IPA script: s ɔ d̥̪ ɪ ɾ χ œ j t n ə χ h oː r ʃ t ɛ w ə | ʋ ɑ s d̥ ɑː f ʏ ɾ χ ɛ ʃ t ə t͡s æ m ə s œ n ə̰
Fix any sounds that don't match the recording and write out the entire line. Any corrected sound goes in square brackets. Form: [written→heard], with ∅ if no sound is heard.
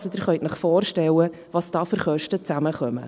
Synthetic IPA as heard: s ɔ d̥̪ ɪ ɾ χ œ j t n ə χ [h→f] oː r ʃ t ɛ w ə | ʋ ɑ s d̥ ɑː f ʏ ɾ χ [ɛ→œ] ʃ t ə t͡s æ m ə [s→χ] œ [n→m] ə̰